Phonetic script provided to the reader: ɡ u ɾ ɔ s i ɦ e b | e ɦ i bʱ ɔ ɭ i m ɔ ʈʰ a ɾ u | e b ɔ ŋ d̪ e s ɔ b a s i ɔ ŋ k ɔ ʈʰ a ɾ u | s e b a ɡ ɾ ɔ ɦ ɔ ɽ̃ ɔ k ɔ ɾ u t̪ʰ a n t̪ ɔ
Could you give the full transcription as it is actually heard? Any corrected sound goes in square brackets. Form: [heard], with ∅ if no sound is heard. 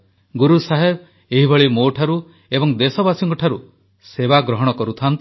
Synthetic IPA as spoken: ɡ u ɾ [u] s [a] ɦ e b | e ɦ i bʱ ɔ ɭ i m [o] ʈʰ a ɾ u | e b ɔ ŋ d̪ e s ɔ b a s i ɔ ŋ k ɔ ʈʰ a ɾ u | s e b a ɡ ɾ ɔ ɦ ɔ ɽ̃ ɔ k ɔ ɾ u t̪ʰ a n t̪ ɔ